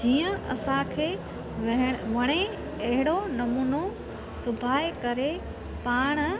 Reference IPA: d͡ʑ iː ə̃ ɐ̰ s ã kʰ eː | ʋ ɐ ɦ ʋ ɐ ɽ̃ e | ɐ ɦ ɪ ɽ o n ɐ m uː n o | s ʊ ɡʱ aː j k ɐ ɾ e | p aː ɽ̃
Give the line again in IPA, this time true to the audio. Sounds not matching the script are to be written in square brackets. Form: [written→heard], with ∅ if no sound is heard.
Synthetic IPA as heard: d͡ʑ iː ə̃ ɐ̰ s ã kʰ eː | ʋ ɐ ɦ ʋ ɐ ɽ̃ e | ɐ ɦ ɪ ɽ o n ɐ m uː n o | s ʊ [ɡʱ→bʱ] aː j k ɐ ɾ e | p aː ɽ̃